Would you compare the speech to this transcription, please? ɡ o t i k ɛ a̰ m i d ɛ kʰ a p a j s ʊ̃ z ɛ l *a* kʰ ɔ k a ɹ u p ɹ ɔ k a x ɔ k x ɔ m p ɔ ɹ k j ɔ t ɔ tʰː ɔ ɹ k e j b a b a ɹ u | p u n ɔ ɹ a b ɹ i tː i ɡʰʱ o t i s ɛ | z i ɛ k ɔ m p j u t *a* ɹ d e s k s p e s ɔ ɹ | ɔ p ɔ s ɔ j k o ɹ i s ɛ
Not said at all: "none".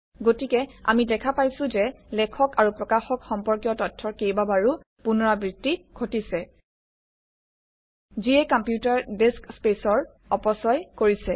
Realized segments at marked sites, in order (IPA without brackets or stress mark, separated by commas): ɛ, a